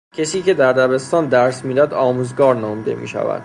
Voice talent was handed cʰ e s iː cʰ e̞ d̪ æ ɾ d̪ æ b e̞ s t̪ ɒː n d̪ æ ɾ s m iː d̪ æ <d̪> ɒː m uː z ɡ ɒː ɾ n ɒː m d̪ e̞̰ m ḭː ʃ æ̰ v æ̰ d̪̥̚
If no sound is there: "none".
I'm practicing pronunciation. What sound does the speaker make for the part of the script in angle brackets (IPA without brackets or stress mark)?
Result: d̪